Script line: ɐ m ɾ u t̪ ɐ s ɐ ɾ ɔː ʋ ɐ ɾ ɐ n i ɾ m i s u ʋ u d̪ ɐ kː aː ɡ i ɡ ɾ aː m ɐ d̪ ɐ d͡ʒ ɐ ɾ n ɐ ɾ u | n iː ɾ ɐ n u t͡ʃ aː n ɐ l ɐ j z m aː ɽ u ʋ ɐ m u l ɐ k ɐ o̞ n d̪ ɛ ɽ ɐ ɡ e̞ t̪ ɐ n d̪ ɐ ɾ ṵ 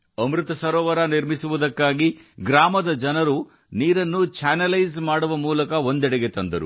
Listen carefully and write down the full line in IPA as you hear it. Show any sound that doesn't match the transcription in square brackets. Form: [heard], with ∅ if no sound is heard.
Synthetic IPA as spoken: ɐ m ɾ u t̪ ɐ s ɐ ɾ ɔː ʋ ɐ ɾ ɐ n i ɾ m i s u ʋ u d̪ ɐ kː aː ɡ i ɡ ɾ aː m ɐ d̪ ɐ d͡ʒ ɐ [∅] n ɐ ɾ u | n iː ɾ ɐ [nː] u t͡ʃ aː n ɐ l ɐ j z m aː ɽ u ʋ ɐ m [uː] l ɐ k ɐ o̞ n d̪ ɛ ɽ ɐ ɡ e̞ t̪ ɐ n d̪ ɐ ɾ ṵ